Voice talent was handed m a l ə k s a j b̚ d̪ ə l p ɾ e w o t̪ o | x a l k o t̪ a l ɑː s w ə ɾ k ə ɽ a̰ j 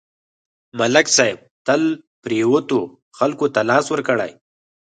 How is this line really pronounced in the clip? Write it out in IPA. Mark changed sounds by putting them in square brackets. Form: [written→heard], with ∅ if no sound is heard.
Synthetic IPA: m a l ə k s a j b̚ [d̪→t̪] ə l p ɾ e w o t̪ o | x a l k o t̪ a l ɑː s w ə ɾ k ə ɽ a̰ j